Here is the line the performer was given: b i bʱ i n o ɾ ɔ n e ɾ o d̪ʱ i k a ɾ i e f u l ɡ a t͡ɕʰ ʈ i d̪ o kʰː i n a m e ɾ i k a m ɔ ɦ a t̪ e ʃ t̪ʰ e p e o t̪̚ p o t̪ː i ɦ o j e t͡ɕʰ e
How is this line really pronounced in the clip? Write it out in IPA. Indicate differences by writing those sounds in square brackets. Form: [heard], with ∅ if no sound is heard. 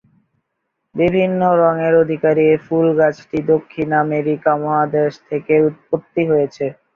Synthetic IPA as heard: b i bʱ i [nː] o ɾ ɔ [ŋ] e ɾ o d̪ʱ i k a ɾ i e f u l ɡ a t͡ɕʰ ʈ i d̪ o kʰː i n a m e ɾ i k a m ɔ ɦ a [d̪] e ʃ t̪ʰ e [k] e [u] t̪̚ p o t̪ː i ɦ o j e t͡ɕʰ e